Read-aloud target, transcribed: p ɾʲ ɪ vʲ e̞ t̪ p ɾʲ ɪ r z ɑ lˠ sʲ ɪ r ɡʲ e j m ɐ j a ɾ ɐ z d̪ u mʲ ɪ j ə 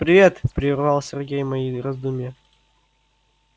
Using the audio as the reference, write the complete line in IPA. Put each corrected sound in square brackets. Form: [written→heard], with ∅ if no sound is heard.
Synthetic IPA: p ɾʲ ɪ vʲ e̞ t̪ p ɾʲ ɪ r [z→v] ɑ lˠ sʲ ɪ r ɡʲ e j m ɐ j [a→i] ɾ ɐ z d̪ u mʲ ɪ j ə